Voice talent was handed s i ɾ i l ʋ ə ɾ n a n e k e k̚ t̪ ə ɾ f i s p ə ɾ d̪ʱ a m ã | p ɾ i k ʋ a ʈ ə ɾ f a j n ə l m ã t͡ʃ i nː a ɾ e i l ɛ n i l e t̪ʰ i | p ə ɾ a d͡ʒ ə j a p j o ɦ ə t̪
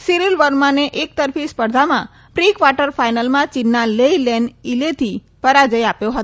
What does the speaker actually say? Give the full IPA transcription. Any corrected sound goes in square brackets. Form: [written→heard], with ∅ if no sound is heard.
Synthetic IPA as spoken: s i ɾ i l ʋ ə ɾ [n→m] a n e [k→ʔ] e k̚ t̪ ə ɾ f i s p ə ɾ d̪ʱ a m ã | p ɾ i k ʋ a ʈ ə ɾ f a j n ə l m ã t͡ʃ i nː a [ɾ→l] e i l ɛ n i l e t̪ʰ i | p ə ɾ a d͡ʒ ə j a p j o ɦ ə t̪